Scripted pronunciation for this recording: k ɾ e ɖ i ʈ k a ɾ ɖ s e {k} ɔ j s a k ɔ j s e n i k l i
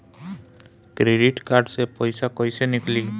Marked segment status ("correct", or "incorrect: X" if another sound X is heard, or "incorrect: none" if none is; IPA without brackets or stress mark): incorrect: p